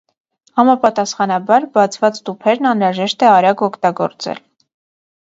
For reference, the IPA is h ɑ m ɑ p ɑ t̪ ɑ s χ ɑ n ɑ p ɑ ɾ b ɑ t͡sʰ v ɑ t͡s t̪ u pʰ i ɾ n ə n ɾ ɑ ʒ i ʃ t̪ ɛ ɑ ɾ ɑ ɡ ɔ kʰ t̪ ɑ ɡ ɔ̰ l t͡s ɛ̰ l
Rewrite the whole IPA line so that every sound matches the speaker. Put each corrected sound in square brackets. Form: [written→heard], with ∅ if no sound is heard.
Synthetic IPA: h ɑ m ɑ p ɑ t̪ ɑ s χ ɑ n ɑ [p→b] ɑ ɾ b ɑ t͡sʰ v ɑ t͡s t̪ u pʰ [i→ɛ] ɾ n [ə→ɑ] n ɾ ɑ ʒ [i→ɛ] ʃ t̪ ɛ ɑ ɾ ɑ ɡ ɔ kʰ t̪ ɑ ɡ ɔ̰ [l→ɾ] t͡s ɛ̰ l